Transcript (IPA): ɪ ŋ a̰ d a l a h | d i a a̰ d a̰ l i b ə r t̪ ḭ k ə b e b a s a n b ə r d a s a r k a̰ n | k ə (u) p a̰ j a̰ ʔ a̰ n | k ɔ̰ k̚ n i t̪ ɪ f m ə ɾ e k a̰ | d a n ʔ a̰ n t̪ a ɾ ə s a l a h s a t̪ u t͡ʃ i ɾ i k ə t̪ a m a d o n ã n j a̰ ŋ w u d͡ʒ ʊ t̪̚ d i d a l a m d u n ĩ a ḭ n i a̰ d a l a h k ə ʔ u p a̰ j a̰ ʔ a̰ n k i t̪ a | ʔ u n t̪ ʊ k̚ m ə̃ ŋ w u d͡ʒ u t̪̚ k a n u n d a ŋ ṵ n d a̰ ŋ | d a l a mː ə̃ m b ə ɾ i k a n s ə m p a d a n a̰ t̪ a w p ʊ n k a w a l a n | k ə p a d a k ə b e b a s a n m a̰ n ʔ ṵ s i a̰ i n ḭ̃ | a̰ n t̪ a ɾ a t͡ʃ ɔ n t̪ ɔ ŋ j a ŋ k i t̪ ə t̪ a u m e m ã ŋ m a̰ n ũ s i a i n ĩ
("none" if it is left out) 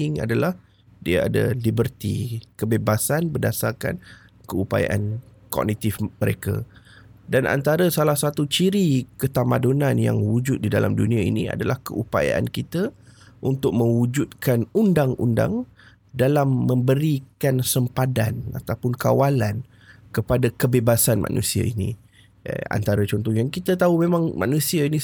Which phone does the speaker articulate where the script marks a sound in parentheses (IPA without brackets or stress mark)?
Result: u